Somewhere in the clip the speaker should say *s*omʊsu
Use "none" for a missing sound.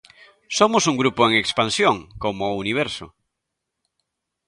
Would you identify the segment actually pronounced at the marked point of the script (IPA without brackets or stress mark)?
s